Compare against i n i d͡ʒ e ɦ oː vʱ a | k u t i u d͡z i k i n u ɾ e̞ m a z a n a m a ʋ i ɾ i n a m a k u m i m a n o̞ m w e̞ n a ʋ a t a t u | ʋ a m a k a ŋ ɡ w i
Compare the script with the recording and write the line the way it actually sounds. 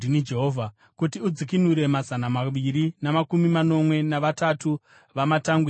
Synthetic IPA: i n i d͡ʒ e ɦ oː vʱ a | k u t i u d͡z i k i n u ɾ e̞ m a z a n a m a ʋ i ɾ i n a m a k u m i m a n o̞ m w e̞ n a ʋ a t a t u | ʋ a m a t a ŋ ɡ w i